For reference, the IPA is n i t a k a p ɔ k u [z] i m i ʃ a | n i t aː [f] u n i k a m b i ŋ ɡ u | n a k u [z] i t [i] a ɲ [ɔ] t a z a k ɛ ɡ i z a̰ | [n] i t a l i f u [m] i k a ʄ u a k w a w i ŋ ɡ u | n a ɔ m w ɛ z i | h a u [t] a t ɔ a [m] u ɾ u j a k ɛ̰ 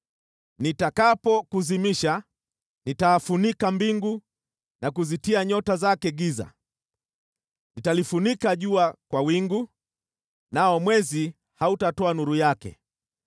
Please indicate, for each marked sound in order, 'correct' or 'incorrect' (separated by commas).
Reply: correct, correct, correct, correct, correct, correct, incorrect, correct, incorrect